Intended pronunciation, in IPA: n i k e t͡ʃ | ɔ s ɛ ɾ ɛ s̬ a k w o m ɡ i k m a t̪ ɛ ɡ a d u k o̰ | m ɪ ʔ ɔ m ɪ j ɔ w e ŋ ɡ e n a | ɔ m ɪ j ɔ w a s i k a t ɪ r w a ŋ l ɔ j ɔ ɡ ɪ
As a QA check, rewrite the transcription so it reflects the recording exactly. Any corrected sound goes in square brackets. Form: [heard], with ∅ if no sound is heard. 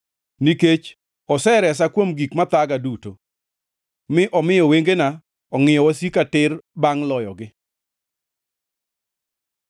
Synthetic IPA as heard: n i k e t͡ʃ | ɔ s ɛ ɾ ɛ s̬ a k w o m ɡ i k m a t̪ [a] ɡ a d u [t] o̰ | m ɪ ʔ ɔ m ɪ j ɔ w e ŋ ɡ e n a | ɔ [ŋ] ɪ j ɔ w a s i k a t ɪ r [b] a ŋ l ɔ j ɔ ɡ ɪ